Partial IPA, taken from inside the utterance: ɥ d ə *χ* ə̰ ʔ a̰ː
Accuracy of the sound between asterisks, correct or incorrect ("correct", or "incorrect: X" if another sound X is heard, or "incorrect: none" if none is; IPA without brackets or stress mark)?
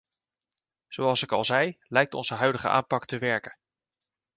correct